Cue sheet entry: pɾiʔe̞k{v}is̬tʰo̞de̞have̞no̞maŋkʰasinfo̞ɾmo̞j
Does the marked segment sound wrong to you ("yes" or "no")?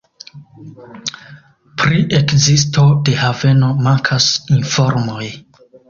yes